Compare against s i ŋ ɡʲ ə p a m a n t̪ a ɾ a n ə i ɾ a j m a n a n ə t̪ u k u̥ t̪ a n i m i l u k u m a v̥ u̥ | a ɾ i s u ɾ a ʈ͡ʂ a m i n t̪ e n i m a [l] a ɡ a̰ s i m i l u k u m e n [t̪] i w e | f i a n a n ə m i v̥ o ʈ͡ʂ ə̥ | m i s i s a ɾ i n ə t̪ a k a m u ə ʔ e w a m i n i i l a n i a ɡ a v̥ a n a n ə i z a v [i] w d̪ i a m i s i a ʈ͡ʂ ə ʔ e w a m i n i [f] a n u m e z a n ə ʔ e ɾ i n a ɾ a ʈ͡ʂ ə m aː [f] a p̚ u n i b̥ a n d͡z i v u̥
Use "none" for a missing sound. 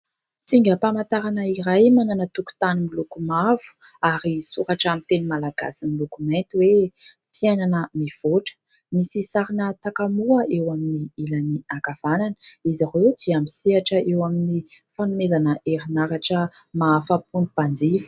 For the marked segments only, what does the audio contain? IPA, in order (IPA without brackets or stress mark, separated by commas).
l, t̪, e, f, f